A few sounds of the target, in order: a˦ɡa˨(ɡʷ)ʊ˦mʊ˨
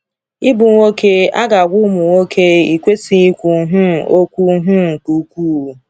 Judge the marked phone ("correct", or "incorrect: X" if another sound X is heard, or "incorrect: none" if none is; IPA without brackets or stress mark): correct